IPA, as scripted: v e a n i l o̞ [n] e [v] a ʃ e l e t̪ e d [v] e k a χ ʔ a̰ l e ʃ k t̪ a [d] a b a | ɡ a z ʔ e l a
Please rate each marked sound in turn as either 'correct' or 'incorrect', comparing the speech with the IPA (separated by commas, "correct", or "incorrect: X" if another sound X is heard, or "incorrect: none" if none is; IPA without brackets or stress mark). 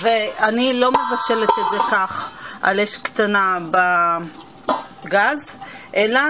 incorrect: m, correct, incorrect: z, incorrect: n